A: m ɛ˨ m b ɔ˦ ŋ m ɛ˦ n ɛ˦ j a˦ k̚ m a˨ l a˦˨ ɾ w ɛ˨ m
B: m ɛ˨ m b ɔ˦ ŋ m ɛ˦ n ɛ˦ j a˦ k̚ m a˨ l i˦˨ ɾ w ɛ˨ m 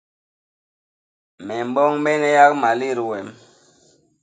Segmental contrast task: B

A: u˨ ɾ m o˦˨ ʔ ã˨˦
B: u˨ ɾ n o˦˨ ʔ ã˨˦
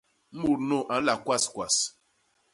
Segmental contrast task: B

